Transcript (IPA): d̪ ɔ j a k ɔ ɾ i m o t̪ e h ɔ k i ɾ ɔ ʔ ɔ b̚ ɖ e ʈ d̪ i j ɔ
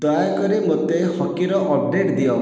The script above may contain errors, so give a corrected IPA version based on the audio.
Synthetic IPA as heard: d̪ ɔ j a k ɔ ɾ i m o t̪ e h ɔ k i ɾ ɔ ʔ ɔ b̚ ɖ e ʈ d̪ i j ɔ